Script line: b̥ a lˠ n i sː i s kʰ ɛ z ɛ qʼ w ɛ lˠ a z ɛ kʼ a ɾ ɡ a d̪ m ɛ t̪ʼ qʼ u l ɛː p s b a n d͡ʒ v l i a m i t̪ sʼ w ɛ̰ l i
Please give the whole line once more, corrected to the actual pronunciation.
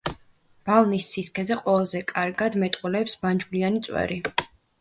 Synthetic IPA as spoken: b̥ a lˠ n i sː i s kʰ ɛ z ɛ qʼ w ɛ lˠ a z ɛ kʼ a ɾ ɡ a d̪ m ɛ t̪ʼ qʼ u l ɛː p s b a n d͡ʒ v l i a n i t̪ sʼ w ɛ̰ ɾ i